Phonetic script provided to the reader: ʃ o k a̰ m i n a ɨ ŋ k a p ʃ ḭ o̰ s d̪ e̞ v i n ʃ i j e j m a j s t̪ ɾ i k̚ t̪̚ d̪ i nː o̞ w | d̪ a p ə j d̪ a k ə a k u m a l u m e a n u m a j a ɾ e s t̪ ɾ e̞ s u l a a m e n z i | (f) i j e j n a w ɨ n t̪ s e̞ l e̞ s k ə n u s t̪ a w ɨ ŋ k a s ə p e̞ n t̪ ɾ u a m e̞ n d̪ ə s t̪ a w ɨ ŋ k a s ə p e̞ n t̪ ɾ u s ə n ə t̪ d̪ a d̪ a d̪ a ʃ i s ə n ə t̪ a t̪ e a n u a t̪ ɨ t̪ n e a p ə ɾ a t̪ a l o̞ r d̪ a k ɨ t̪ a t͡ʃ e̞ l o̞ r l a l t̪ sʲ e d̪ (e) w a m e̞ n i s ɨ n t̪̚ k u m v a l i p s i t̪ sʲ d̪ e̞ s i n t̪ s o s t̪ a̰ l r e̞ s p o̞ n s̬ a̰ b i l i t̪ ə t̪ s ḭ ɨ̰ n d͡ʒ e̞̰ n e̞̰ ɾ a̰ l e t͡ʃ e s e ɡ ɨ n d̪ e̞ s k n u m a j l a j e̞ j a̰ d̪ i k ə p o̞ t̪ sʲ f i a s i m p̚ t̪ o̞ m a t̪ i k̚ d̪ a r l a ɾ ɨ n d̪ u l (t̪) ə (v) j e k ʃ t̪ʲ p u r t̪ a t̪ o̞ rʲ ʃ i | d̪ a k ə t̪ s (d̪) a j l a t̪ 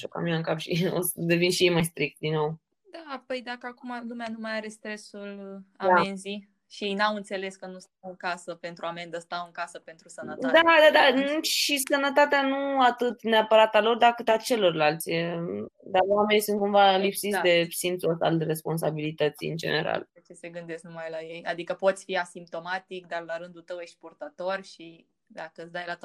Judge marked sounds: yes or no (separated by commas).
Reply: no, no, yes, no, yes